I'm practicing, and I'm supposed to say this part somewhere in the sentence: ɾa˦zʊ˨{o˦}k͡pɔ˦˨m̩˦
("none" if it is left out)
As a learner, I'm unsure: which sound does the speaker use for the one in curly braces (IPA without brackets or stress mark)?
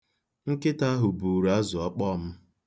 ɔ˦